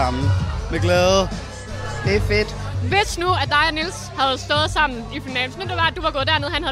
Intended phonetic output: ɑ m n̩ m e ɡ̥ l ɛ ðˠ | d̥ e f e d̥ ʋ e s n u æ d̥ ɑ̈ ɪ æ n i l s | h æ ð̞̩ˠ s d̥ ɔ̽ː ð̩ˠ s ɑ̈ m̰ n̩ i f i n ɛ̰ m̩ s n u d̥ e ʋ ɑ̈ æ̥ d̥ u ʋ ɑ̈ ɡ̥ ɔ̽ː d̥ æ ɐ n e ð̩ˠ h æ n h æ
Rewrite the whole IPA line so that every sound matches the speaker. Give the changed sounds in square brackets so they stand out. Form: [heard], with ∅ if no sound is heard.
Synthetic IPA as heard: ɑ m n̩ m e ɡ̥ l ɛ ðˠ | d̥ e f e d̥ ʋ e s n u æ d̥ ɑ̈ ɪ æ n i l s | h æ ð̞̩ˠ s d̥ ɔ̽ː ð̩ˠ s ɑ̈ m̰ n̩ i f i n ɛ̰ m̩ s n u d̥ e ʋ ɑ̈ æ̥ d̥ u ʋ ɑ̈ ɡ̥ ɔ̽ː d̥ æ ɐ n e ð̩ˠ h æ n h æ